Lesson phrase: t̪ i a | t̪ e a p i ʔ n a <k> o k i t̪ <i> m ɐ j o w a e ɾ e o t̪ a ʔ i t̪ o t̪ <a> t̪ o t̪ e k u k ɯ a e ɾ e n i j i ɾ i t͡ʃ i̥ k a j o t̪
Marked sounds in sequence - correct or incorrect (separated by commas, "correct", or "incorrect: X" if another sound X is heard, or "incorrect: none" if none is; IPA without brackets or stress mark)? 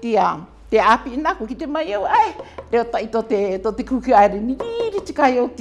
correct, incorrect: e, incorrect: e